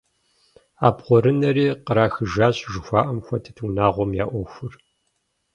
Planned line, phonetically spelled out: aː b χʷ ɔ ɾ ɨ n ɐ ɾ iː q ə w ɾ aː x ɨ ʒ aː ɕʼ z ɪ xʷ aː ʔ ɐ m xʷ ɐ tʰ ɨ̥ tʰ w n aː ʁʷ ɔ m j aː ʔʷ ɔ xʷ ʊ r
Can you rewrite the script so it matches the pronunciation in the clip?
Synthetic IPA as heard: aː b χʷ ɔ ɾ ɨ n ɐ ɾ iː q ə ɾ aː x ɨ ʒ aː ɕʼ ʒ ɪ xʷ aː ʔ ɐ m xʷ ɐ tʰ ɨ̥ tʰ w n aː ʁʷ ɔ m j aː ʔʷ ɔ xʷ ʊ r